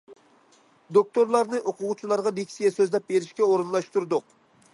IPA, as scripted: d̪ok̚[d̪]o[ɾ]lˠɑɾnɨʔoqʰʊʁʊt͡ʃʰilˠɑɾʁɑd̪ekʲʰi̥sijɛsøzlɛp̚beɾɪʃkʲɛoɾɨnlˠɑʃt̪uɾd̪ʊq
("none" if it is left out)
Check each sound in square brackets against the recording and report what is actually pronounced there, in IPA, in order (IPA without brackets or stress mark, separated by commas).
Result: t̪, ɾ